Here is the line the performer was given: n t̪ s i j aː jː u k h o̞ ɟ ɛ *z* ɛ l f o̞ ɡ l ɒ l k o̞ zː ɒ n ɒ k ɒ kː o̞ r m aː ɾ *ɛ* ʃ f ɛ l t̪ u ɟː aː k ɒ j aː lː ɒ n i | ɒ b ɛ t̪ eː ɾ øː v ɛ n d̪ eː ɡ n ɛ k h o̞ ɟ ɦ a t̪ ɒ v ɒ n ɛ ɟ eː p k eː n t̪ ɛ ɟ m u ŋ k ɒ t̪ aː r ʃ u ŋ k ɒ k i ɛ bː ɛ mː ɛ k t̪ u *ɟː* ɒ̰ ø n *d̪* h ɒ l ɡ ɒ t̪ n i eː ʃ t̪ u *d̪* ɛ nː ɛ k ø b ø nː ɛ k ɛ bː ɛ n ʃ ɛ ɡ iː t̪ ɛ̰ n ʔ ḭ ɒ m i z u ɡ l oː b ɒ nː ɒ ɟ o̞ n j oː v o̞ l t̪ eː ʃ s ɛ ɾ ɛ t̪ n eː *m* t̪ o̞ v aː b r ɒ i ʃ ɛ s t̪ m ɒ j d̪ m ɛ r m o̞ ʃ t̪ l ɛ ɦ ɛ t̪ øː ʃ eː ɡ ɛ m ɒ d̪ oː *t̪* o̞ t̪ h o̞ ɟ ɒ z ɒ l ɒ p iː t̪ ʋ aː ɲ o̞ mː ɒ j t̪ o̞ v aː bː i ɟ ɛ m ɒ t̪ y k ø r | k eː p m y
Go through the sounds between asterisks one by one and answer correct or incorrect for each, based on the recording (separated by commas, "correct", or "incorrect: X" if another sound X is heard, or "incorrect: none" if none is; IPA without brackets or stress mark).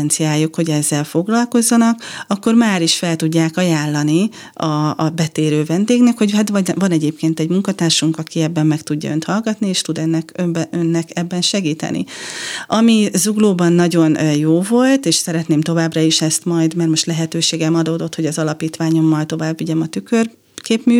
incorrect: zː, incorrect: i, correct, incorrect: t̪, correct, correct, incorrect: d̪